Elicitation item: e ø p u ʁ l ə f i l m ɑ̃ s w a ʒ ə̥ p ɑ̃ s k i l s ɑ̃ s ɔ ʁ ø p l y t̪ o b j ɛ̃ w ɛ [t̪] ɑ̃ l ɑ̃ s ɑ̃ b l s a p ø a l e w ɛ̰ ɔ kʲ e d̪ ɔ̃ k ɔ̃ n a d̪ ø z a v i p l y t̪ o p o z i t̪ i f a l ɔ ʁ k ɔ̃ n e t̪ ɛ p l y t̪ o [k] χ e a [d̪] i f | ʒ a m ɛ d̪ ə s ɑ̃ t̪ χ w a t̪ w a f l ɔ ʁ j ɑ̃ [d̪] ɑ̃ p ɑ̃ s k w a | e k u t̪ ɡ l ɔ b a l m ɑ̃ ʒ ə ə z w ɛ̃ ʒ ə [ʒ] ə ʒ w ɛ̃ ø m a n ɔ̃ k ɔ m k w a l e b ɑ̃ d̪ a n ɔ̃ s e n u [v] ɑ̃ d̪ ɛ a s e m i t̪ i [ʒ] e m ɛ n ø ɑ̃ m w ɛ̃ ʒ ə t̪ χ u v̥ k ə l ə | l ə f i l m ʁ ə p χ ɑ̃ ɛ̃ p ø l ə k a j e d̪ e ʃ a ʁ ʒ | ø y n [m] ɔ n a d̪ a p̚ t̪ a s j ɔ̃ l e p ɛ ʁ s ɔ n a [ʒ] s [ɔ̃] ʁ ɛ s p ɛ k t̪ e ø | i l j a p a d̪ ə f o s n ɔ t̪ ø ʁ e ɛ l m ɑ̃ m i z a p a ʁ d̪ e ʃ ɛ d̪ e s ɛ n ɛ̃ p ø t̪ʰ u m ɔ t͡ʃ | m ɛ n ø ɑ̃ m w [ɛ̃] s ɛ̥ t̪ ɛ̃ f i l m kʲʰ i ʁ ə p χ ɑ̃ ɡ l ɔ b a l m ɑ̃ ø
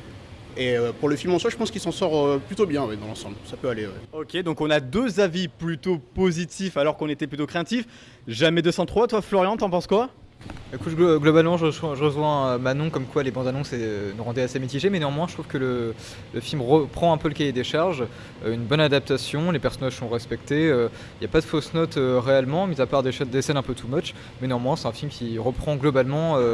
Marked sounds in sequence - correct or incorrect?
incorrect, correct, incorrect, incorrect, incorrect, incorrect, correct, incorrect, correct, correct, correct

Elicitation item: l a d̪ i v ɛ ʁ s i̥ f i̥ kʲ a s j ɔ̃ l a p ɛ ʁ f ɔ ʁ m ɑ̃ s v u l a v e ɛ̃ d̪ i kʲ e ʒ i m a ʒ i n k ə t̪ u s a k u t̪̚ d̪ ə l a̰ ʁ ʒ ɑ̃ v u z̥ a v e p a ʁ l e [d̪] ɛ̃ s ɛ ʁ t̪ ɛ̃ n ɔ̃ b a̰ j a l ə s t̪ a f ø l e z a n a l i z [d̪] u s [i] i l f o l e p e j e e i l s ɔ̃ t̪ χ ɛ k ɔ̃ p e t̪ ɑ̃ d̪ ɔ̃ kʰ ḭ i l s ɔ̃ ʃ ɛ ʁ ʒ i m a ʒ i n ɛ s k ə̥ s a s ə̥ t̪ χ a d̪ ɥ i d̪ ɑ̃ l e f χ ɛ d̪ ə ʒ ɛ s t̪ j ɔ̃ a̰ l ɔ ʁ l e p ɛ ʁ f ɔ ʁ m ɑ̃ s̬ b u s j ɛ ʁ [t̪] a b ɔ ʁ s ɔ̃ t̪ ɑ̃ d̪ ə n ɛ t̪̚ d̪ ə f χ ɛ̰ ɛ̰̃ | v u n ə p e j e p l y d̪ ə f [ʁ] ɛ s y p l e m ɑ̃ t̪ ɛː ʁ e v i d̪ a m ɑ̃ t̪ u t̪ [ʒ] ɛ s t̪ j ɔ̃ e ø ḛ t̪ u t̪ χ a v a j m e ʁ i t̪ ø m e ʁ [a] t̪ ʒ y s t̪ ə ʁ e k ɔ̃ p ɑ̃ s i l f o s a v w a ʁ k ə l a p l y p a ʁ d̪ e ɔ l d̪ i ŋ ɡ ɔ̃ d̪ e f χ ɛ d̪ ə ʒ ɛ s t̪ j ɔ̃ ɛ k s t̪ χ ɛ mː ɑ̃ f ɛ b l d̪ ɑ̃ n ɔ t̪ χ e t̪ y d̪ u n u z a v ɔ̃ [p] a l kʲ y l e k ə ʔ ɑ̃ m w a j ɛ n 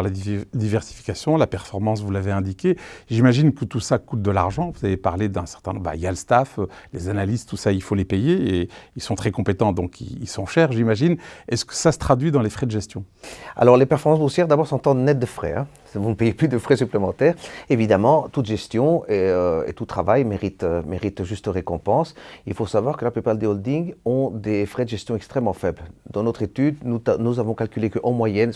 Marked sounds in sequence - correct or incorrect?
correct, incorrect, incorrect, incorrect, incorrect, correct, incorrect, incorrect

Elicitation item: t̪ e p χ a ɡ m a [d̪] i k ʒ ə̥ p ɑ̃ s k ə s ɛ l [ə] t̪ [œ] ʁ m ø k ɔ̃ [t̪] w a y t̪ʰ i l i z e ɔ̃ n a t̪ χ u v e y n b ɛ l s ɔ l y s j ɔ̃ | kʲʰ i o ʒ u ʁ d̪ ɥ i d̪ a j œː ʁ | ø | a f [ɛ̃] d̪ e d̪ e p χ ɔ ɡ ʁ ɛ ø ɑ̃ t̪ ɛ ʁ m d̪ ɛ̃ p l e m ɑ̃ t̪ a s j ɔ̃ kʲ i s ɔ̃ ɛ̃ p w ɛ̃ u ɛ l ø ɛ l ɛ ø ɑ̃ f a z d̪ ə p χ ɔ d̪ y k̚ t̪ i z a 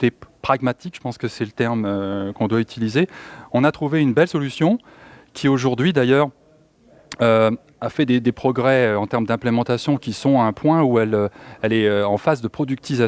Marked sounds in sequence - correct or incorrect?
incorrect, correct, incorrect, incorrect, incorrect

